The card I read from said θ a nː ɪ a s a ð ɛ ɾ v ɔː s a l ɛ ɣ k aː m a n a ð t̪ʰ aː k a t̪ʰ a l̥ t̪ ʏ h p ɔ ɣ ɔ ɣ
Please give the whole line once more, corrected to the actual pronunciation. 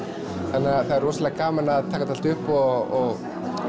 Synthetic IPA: θ a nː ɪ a θ a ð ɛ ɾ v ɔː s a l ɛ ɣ k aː m a n a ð t̪ʰ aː k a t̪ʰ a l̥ t̪ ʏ h p ɔ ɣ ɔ ɣ